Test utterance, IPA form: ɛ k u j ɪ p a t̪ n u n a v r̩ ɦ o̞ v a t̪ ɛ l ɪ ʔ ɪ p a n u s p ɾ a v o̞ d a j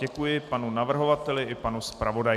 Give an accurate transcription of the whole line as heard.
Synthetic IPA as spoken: ɛ k u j ɪ p a n u n a v r̩ ɦ o̞ v a t̪ ɛ l ɪ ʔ ɪ p a n u s p ɾ a v o̞ d a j

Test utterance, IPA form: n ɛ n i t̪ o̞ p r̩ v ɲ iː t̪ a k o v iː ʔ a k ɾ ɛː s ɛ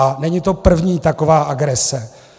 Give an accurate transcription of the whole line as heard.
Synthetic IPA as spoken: n ɛ ɲ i t̪ o̞ p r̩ v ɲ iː t̪ a k o v aː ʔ a ɡ ɾ ɛ s ɛ

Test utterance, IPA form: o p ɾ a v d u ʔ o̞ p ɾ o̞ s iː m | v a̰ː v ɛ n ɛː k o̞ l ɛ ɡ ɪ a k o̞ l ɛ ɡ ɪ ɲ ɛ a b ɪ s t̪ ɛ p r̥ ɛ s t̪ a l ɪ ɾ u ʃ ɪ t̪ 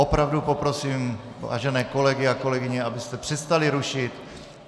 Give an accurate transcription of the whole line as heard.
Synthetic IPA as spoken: o p ɾ a v d u p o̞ p ɾ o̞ s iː m | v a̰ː ʒ ɛ n ɛː k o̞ l ɛ ɡ ɪ a k o̞ l ɛ ɡ ɪ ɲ ɛ a b ɪ s t̪ ɛ p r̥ ɛ s t̪ a l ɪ ɾ u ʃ ɪ t̪

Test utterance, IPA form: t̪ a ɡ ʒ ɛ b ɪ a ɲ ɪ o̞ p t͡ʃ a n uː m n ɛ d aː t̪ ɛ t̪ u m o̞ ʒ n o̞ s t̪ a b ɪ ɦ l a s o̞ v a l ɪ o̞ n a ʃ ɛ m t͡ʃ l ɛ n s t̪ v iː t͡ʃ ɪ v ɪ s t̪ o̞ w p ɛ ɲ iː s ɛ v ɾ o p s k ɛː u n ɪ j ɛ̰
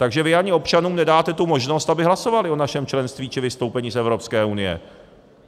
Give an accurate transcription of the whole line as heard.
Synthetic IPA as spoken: t̪ a ɡ ʒ ɛ v ɪ a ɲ ɪ o̞ p t͡ʃ a n uː m n ɛ d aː t̪ ɛ t̪ u m o̞ ʒ n o̞ s t̪ a b ɪ ɦ l a s o̞ v a l ɪ o̞ n a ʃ ɛ m t͡ʃ l ɛ n s t̪ v iː t͡ʃ ɪ v ɪ s t̪ o̞ w p ɛ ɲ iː s ɛ v ɾ o p s k ɛː u n ɪ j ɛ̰

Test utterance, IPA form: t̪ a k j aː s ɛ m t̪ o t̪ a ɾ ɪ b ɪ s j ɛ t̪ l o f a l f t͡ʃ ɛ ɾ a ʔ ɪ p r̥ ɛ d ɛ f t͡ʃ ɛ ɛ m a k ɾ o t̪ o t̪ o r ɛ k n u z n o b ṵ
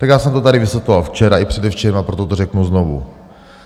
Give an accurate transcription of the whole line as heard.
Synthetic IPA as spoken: t̪ a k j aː s ɛ m t̪ o t̪ a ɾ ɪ v ɪ s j ɛ t̪ l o v a l f t͡ʃ ɛ ɾ a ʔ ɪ p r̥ ɛ d ɛ f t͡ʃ ɛ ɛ m a p ɾ o t̪ o t̪ o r ɛ k n u z n o v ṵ

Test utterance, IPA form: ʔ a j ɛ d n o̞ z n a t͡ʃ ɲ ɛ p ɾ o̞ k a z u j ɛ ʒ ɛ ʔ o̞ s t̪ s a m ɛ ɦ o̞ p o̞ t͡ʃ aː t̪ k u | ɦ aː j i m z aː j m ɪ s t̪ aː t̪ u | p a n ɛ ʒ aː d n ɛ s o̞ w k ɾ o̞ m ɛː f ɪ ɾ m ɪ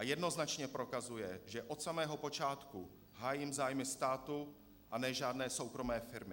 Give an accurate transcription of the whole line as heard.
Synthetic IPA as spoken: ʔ a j ɛ d n o̞ z n a t͡ʃ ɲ ɛ p ɾ o̞ k a z u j ɛ ʒ ɛ ʔ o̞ t̪ s a m ɛː ɦ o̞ p o̞ t͡ʃ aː t̪ k u | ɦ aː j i m z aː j m ɪ s t̪ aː t̪ u | ʔ a n ɛ ʒ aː d n ɛː s o̞ w k ɾ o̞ m ɛː f ɪ ɾ m ɪ

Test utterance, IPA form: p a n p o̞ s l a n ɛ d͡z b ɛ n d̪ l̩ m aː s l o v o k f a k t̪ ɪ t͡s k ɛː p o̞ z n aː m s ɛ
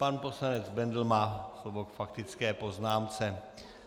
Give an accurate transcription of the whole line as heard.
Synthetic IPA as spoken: p a n p o̞ s l a n ɛ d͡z b ɛ n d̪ l̩ m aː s l o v o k f a k t̪ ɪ t͡s k ɛː p o̞ z n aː m t͡s ɛ

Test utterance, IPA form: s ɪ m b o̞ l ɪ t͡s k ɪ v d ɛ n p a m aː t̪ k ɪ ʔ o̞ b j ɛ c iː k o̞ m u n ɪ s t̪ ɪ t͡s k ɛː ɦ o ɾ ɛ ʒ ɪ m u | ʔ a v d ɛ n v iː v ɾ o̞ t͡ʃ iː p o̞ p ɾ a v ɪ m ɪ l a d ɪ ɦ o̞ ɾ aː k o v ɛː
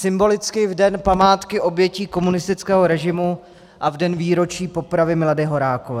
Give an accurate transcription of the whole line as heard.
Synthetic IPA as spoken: s ɪ m b o̞ l ɪ t͡s k ɪ v d ɛ n p a m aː t̪ k ɪ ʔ o̞ b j ɛ c iː k o̞ m u n ɪ s t̪ ɪ t͡s k ɛː ɦ o ɾ ɛ ʒ ɪ m u | ʔ a v d ɛ n v iː ɾ o̞ t͡ʃ iː p o̞ p ɾ a v ɪ m ɪ l a d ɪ ɦ o̞ ɾ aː k o v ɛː

